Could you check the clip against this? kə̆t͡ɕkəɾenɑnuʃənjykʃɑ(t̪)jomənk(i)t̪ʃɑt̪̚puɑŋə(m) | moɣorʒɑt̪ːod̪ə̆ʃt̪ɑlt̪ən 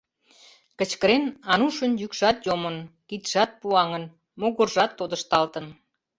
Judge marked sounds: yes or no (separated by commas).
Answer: yes, yes, no